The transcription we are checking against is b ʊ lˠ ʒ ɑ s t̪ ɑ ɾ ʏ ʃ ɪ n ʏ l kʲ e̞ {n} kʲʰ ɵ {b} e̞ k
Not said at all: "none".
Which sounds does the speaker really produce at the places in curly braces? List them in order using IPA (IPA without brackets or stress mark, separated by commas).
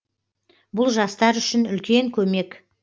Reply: ŋ, m